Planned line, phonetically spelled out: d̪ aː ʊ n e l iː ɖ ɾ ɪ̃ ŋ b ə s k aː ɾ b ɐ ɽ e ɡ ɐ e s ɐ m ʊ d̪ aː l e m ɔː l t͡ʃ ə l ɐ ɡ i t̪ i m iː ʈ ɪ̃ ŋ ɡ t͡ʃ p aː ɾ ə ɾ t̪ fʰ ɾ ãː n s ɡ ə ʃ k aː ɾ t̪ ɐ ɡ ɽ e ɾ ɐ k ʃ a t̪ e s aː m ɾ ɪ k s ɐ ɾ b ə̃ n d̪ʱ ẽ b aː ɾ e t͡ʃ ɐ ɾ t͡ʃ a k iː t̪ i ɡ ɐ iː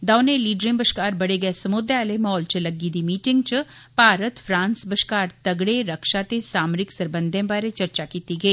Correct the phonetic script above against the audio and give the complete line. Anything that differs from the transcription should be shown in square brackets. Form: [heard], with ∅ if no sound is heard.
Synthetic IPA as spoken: d̪ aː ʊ n e l iː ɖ ɾ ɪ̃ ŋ b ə [ʃ] k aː ɾ b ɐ ɽ e ɡ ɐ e s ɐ m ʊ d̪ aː l e m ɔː l t͡ʃ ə l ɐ ɡ i [d̪] i m iː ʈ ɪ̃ ŋ ɡ t͡ʃ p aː ɾ ə [∅] t̪ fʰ ɾ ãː n s [b] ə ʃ k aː ɾ t̪ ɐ ɡ ɽ e ɾ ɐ k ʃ a t̪ e s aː m ɾ ɪ k s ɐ ɾ b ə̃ n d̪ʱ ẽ b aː ɾ e t͡ʃ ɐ ɾ t͡ʃ a k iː t̪ i ɡ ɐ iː